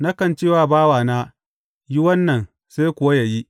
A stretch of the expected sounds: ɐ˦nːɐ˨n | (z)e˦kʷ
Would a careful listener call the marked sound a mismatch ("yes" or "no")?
yes